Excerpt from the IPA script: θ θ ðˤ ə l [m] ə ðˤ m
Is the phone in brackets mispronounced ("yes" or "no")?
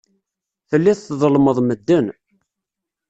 no